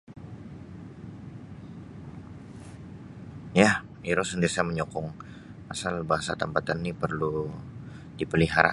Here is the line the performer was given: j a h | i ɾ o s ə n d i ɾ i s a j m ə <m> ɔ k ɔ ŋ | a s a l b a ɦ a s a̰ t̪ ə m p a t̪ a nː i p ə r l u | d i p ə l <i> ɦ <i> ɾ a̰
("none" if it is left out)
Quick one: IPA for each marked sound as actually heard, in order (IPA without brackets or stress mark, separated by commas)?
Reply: ɲ, i, a